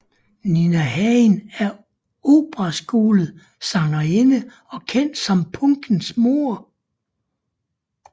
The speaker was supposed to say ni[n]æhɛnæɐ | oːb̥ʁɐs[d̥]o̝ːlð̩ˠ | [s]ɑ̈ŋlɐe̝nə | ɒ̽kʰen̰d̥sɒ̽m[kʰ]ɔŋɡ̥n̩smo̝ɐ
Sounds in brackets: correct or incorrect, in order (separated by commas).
correct, incorrect, correct, incorrect